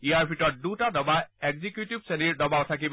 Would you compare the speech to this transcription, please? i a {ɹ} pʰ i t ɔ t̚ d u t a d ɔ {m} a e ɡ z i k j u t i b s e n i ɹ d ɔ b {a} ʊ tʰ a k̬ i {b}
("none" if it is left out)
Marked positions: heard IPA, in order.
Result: ɹ, b, a, b

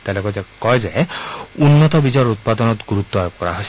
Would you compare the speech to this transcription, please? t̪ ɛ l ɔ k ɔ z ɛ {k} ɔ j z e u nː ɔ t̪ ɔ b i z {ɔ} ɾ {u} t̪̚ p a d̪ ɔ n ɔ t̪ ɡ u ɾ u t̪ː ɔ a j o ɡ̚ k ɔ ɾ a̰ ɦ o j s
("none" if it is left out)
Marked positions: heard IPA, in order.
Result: k, ɔ, u

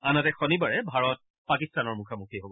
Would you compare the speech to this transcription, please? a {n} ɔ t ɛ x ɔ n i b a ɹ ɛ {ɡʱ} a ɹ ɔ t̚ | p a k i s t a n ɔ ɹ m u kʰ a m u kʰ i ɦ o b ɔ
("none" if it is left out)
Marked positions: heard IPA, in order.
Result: n, bʱ

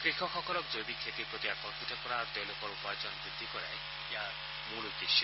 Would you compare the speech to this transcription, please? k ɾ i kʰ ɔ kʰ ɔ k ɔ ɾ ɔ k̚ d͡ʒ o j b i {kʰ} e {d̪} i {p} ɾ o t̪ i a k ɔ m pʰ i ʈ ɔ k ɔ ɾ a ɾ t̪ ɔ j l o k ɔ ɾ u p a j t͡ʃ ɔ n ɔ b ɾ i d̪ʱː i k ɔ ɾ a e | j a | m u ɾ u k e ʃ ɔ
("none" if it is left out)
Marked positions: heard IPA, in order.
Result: kʰ, t̪, p

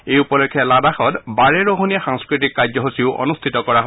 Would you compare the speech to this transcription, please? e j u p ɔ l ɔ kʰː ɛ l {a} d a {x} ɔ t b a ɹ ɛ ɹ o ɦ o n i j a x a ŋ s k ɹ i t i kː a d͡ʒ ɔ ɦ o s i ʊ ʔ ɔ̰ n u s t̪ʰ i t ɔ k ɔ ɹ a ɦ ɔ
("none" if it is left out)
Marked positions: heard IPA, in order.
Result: a, x

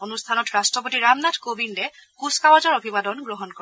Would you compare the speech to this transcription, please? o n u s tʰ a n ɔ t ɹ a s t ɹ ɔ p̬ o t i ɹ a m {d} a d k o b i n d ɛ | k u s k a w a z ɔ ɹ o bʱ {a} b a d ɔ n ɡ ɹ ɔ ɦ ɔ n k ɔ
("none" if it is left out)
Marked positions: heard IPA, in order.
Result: n, i

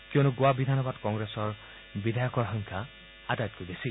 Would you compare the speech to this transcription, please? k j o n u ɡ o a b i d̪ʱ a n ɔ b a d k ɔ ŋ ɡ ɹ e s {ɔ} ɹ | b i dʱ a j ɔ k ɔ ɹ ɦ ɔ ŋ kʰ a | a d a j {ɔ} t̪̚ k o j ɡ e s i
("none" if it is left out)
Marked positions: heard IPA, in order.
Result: ɔ, ɔ

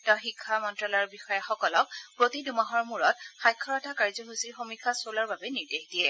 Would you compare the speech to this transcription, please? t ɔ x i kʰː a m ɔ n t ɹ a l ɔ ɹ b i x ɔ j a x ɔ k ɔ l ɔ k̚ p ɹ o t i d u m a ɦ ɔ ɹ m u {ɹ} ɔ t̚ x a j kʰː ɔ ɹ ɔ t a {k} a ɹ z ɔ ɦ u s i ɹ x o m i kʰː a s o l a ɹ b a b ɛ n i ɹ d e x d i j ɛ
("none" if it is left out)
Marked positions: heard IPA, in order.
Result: ɹ, k

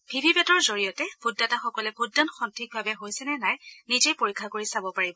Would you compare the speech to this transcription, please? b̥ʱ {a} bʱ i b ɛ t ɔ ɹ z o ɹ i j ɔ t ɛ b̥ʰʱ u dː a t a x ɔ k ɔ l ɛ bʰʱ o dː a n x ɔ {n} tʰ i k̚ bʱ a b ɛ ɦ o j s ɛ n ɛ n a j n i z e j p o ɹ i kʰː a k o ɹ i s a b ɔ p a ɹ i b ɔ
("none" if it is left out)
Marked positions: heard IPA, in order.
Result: i, n

